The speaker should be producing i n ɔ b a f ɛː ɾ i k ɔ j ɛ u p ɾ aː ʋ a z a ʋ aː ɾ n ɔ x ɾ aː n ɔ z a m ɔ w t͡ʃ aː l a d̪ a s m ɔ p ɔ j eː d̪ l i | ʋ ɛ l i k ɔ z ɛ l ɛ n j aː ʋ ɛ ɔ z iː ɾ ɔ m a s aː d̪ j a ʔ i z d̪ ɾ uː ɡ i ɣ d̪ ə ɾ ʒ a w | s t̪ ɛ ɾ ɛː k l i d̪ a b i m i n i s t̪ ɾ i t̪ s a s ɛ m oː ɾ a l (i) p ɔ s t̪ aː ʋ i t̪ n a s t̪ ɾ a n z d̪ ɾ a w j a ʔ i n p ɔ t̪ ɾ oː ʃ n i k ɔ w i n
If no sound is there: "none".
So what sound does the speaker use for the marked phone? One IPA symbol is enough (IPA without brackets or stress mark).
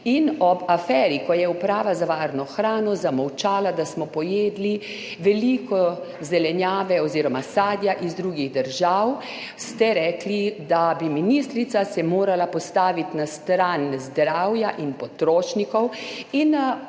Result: a